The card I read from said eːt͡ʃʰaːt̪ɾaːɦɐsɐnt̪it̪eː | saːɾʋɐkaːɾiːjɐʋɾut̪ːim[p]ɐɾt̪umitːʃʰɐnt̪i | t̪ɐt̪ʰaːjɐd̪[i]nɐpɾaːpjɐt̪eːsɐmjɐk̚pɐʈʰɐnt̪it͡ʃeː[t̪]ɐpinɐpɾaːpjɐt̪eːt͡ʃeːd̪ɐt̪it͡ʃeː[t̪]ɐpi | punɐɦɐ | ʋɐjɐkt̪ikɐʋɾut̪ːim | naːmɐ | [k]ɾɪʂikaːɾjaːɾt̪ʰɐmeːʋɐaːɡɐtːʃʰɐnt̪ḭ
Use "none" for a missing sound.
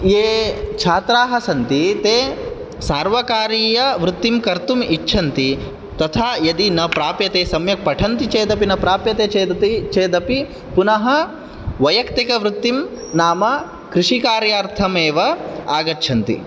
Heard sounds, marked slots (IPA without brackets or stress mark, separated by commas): k, i, d̪, d̪, k